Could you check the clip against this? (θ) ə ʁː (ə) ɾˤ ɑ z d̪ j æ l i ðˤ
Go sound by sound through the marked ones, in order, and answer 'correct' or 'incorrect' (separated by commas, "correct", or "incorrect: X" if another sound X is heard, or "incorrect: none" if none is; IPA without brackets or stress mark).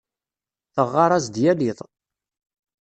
correct, incorrect: ɑ